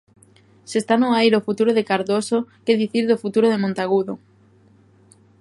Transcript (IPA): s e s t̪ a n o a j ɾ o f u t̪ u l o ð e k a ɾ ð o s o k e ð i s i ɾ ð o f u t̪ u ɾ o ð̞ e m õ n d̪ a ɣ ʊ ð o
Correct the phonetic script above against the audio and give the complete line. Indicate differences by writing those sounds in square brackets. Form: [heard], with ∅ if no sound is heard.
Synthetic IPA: s e s t̪ a n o a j ɾ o f u t̪ u [ɾ] o ð e k a ɾ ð o s o k e ð i [θ] i ɾ ð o f u t̪ u ɾ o ð̞ e m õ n [t̪] a ɣ [u] ð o